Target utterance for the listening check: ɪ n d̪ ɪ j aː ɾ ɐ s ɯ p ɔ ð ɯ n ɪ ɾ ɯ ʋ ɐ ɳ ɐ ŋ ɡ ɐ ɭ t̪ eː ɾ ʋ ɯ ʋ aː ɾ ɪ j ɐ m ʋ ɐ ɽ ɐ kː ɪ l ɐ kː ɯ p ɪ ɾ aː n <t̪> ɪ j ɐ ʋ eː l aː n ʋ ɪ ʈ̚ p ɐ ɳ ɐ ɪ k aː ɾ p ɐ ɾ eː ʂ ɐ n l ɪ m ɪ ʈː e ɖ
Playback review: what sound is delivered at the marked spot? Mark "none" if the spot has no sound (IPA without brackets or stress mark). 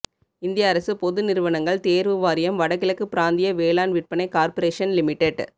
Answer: d̪